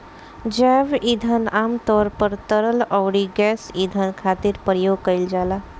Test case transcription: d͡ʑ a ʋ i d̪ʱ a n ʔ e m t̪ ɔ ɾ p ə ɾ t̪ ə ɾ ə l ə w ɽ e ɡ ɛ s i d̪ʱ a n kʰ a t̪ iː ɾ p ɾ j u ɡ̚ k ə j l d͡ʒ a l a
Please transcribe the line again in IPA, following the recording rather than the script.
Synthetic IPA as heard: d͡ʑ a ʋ i d̪ʱ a n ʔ a m t̪ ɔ ɾ p ə ɾ t̪ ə ɾ ə l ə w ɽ i ɡ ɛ s i d̪ʱ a n kʰ a t̪ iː ɾ p ɾ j o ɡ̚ k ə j l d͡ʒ a l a

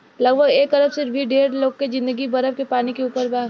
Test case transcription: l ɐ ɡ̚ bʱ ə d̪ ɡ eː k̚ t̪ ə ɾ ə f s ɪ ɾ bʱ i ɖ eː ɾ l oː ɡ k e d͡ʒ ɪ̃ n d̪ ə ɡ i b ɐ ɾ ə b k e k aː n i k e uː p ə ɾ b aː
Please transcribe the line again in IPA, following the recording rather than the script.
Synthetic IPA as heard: l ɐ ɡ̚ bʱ ə ɡ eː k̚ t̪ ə ɾ ə f s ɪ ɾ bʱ i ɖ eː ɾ l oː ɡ k e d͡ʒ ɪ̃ n d̪ ə ɡ i b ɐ ɾ ə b k e p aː n i k e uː p ə ɾ b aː

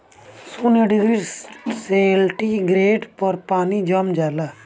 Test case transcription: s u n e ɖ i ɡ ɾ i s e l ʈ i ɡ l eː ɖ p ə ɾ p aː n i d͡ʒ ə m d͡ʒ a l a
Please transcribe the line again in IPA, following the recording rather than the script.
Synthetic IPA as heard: s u n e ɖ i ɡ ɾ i s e l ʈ i ɡ ɾ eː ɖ p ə ɾ p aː n i d͡ʒ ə m d͡ʒ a l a

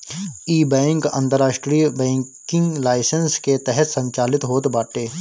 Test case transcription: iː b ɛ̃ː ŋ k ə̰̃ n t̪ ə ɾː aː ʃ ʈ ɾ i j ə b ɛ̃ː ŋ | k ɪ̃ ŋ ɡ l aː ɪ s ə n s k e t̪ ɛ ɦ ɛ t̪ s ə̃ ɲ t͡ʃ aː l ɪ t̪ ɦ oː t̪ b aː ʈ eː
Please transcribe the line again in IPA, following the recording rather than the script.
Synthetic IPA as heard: iː b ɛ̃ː ŋ k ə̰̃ n t̪ ə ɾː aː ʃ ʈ ɾ i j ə b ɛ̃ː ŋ | k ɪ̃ ŋ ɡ l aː ɪ s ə n s k e t̪ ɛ ɦ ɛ t̪ s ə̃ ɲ t͡ʃ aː l ɪ t̪ ɦ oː t̪ b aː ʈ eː

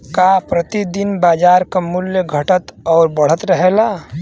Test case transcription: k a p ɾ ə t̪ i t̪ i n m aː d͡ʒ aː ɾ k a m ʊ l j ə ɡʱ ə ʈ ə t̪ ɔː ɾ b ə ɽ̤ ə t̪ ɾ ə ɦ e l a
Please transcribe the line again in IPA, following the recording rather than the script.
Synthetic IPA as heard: k a p ɾ ə t̪ i d̪ i n b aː d͡ʒ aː ɾ k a m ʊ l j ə ɡʱ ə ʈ ə t̪ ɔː ɾ b ə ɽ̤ ə t̪ ɾ ə ɦ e l a

